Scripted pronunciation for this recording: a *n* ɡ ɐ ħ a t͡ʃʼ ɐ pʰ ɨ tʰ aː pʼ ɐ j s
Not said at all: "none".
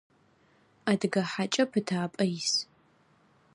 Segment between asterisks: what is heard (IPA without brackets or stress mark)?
d